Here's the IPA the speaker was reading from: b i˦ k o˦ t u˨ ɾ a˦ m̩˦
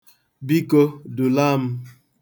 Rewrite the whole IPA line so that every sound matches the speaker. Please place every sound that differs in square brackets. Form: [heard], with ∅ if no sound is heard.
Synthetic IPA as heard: b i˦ k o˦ [d] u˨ [l] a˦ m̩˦

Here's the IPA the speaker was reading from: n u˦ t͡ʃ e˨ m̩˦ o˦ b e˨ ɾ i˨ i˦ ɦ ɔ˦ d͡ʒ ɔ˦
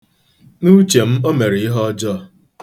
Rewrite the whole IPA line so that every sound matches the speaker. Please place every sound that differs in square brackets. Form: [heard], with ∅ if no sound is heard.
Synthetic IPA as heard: n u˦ t͡ʃ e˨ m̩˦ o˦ [m] e˨ ɾ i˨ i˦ ɦ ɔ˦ d͡ʒ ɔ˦

